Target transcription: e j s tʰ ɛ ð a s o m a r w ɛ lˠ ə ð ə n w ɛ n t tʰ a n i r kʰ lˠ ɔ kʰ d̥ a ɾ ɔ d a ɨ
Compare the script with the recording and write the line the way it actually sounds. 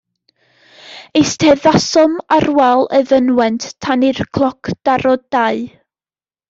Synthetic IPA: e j s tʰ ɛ ð a s ɔ m a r w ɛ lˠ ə ð ə n w ɛ n t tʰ a n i r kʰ lˠ ɔ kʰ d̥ a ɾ ɔ d a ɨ

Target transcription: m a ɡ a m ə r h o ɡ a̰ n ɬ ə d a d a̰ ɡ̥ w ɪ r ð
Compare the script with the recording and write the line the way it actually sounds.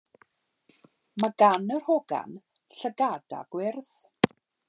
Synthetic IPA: m a ɡ a n ə r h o ɡ a̰ n ɬ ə ɡ a d a̰ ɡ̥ w ɪ r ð

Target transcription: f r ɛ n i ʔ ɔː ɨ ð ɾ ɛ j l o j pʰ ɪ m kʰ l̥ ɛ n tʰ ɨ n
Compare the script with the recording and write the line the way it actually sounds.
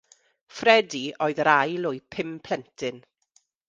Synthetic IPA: f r ɛ d i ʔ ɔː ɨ ð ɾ a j l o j pʰ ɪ m pʰ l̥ ɛ n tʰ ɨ n

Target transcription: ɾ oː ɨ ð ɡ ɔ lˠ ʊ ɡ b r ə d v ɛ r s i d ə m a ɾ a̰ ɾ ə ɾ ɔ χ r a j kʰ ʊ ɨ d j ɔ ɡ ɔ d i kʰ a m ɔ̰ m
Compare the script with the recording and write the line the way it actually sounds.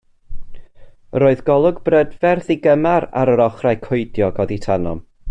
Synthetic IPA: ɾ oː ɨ ð ɡ ɔ lˠ ʊ ɡ b r ə d v ɛ r θ i ɡ ə m a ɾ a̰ ɾ ə ɾ ɔ χ r a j kʰ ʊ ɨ d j ɔ ɡ ɔ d i tʰ a n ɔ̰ m

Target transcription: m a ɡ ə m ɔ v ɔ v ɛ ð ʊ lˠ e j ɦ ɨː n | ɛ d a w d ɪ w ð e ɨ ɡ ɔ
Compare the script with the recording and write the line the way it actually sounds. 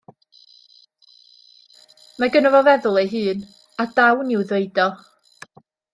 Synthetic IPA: m a ɡ ə n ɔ v ɔ v ɛ ð ʊ lˠ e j ɦ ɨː n | a d a w n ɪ w ð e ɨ d ɔ

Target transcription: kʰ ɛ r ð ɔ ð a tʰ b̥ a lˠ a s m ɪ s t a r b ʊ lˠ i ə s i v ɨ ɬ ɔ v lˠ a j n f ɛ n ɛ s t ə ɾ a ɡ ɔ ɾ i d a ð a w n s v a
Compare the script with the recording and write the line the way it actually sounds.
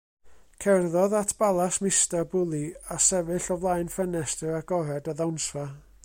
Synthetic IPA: kʰ ɛ r ð ɔ ð a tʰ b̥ a lˠ a s m ɪ s t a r b ʊ lˠ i a s ɛ v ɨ ɬ ɔ v lˠ a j n f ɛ n ɛ s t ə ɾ a ɡ ɔ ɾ ɛ d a ð a w n s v a

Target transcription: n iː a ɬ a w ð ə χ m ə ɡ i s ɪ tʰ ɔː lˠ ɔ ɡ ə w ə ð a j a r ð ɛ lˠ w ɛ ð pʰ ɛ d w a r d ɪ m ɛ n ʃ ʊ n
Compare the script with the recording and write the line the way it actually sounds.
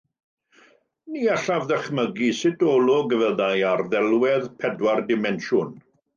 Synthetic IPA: n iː a ɬ a v ð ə χ m ə ɡ i s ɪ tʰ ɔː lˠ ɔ ɡ ə v ə ð a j a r ð ɛ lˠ w ɛ ð pʰ ɛ d w a r d ɪ m ɛ n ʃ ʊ n

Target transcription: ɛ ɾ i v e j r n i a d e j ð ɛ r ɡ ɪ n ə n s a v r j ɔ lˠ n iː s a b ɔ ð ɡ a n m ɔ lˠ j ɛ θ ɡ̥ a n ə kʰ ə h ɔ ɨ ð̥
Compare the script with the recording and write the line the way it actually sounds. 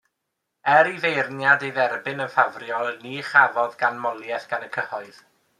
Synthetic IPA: ɛ ɾ i v e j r n j a d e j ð ɛ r b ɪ n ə n f a v r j ɔ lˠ n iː χ a v ɔ ð ɡ a n m ɔ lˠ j ɛ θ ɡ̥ a n ə kʰ ə h ɔ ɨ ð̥

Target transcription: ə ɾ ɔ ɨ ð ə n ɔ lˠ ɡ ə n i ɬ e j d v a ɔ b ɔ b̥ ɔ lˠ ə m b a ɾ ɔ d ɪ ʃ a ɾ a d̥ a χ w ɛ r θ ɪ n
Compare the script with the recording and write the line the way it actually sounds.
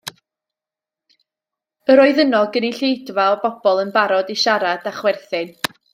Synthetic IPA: ə ɾ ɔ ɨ ð ə n ɔ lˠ ɡ ə n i ɬ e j d v a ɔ b ɔ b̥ ɔ lˠ ə n b a ɾ ɔ d i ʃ a ɾ a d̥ a χ w ɛ r θ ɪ n

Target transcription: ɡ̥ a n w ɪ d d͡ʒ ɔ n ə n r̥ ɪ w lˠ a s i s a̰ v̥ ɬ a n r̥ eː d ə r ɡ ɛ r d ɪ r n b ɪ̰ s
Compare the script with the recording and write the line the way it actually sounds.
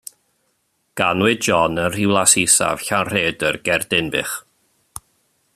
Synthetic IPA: ɡ̥ a n w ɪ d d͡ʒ ɔ n ə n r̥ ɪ w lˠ a s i s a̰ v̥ ɬ a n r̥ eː d ə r ɡ ɛ r d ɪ n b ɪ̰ χ

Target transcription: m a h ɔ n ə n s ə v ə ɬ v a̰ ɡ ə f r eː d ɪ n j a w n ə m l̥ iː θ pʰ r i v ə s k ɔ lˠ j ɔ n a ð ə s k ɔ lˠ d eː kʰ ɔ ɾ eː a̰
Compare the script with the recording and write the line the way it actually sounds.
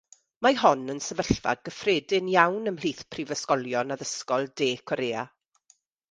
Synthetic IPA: m a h ɔ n ə n s ə v ə ɬ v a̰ ɡ ə f r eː d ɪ n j a w n ə m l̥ iː θ pʰ r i v ə s k ɔ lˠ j ɔ n a ð ə s k ɔ lˠ d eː kʰ ɔ ɾ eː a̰

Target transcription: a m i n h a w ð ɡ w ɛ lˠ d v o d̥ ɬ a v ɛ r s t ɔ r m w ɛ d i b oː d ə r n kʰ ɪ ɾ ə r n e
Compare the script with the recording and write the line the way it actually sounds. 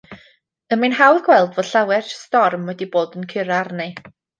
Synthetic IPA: ə m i n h a w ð ɡ w ɛ lˠ d v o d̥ ɬ a w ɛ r s t ɔ r m w ɛ d i b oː d ə n kʰ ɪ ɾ a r n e

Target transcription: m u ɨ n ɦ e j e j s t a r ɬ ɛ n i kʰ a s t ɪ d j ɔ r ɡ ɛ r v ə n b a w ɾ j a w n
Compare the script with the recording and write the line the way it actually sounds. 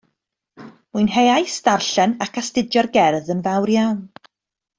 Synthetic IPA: m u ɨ n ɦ e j a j s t a r ɬ ɛ n a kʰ a s t ɪ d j ɔ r ɡ ɛ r ð ə n v a w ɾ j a w n

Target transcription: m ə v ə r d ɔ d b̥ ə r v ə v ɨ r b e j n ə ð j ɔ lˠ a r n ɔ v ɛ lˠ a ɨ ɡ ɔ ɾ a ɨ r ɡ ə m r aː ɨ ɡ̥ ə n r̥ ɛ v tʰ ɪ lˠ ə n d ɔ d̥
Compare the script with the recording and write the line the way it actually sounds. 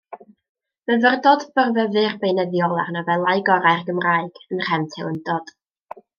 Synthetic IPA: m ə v ə r d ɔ d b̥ ə r v ə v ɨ r b e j n ə ð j ɔ lˠ a r n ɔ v ɛ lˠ a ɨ ɡ ɔ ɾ a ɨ r ɡ ə m r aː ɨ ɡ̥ ə n r̥ ɛ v tʰ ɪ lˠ ə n d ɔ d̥

